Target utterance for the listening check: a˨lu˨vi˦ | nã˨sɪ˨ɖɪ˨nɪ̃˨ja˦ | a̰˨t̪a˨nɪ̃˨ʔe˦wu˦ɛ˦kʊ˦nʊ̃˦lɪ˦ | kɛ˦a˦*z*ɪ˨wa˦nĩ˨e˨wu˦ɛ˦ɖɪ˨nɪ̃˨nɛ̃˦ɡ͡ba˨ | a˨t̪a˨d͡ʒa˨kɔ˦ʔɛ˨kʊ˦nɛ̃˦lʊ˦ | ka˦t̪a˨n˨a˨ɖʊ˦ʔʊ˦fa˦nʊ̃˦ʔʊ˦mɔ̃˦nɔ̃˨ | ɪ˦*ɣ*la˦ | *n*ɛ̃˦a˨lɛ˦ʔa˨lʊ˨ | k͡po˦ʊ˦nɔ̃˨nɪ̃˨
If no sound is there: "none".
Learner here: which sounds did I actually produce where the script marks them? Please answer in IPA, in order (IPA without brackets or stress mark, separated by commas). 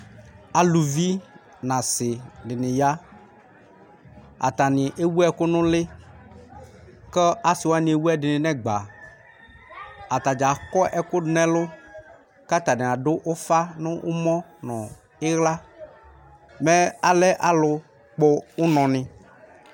s, ɣ, m